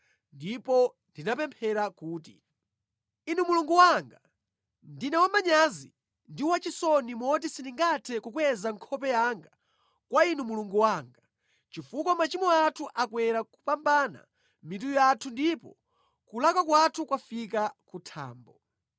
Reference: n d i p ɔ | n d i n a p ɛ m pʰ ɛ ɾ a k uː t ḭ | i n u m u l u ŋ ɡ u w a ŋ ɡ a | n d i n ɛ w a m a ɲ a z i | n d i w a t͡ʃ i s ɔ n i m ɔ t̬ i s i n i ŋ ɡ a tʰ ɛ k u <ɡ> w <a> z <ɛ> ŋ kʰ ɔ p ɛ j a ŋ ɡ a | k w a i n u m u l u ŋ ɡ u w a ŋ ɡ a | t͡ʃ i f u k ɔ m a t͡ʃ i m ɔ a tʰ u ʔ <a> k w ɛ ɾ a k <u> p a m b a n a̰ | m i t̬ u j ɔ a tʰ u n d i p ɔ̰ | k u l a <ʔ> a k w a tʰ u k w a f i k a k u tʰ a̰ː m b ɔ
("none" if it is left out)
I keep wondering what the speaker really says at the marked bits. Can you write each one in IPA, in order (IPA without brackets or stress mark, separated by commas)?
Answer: k, ɛ, a, a, u, k